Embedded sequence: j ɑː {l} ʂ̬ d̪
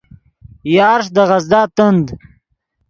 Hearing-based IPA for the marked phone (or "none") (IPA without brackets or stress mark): ɾ